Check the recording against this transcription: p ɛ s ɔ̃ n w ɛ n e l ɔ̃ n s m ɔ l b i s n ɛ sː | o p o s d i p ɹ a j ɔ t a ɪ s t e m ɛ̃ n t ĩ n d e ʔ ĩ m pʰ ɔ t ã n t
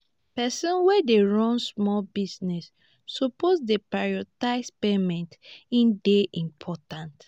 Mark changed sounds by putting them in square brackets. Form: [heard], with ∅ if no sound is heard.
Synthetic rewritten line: p ɛ s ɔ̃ n w ɛ [d] e [ɹ] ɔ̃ n s m ɔ l b i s n ɛ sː | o p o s d [e] p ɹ a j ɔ t a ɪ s [p] e m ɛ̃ n t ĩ n d e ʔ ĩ m pʰ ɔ t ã n t